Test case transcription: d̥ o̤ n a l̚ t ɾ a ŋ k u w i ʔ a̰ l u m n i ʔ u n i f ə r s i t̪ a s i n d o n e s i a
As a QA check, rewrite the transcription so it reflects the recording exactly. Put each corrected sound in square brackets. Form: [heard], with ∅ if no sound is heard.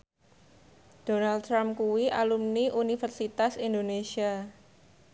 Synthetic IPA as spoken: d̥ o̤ n a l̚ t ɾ a [m] k u w i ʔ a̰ l u m n i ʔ u n i f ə r s i t̪ a s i n d o n e s i a